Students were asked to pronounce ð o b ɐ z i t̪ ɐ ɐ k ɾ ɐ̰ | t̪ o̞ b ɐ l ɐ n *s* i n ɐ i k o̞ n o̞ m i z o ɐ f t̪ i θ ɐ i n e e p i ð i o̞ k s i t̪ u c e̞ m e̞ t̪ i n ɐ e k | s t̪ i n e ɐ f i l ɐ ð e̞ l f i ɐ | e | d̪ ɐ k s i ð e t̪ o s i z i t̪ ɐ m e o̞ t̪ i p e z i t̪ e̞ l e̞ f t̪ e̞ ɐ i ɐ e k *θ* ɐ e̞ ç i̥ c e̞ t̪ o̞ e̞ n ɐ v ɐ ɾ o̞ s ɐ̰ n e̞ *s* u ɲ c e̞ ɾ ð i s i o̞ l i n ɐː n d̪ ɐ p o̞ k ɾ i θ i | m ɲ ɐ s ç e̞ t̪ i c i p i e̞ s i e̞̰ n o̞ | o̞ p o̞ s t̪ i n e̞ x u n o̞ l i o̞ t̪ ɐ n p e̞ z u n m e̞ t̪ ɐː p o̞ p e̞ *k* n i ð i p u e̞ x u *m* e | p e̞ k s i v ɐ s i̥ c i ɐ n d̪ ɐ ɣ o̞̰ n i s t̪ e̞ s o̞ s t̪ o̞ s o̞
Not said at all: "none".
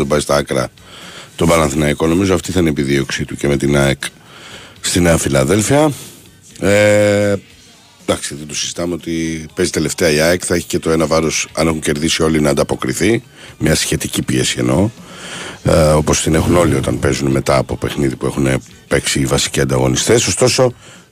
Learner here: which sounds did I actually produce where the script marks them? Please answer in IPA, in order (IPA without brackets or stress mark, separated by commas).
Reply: θ, θ, x, x, n